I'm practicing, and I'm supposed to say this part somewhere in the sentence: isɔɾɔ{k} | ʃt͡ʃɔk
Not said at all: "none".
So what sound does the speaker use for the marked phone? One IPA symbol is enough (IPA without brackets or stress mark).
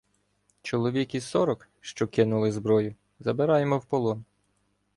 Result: k